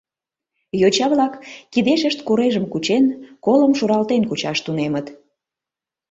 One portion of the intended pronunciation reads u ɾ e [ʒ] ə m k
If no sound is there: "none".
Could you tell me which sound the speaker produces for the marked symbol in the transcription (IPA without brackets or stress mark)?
ʒ